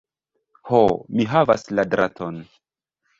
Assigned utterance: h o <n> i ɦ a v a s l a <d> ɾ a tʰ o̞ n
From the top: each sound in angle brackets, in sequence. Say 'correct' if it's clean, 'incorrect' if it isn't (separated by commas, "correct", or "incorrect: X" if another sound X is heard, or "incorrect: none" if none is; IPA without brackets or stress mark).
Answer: incorrect: m, correct